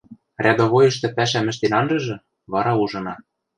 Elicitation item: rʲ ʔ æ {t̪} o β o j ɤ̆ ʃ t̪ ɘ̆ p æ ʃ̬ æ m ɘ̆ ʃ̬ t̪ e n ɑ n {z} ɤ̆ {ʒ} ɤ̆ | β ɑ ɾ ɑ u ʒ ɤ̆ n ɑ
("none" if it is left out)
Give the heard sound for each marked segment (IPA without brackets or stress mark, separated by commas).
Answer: d̪, ʒ, ʒ